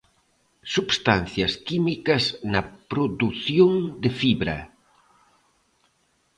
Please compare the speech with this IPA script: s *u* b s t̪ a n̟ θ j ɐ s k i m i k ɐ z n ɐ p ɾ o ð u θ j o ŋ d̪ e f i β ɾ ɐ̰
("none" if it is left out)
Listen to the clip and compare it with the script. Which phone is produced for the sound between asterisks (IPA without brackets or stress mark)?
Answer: u